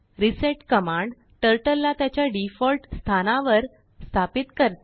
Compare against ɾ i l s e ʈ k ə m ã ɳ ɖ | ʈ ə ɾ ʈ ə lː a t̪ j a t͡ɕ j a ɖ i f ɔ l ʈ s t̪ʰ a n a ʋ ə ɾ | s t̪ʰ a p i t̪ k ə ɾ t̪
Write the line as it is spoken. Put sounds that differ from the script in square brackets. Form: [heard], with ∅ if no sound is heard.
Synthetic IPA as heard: ɾ i [∅] s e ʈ k ə m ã ɳ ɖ | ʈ ə ɾ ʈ ə lː a t̪ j a t͡ɕ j a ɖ i f ɔ l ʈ s t̪ʰ a n a ʋ ə ɾ | s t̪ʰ a p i t̪ k ə ɾ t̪